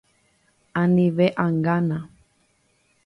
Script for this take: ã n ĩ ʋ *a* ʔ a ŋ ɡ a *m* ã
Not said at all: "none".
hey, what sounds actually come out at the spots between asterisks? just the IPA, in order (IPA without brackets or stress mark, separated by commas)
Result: e, n